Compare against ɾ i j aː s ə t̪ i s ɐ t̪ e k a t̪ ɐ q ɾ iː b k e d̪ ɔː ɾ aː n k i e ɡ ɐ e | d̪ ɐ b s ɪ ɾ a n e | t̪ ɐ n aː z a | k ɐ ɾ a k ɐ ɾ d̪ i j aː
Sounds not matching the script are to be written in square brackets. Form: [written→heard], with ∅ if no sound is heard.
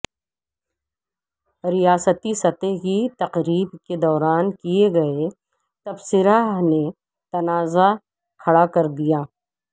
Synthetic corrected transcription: ɾ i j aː s ə t̪ i s ɐ t̪ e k [a→i] t̪ ɐ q ɾ iː b k e d̪ ɔː ɾ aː n k i e ɡ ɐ e | [d̪→t̪] ɐ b s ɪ ɾ a n e | t̪ ɐ n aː z a | [k→kʰ] ɐ [ɾ→ɽ] a k ɐ ɾ d̪ i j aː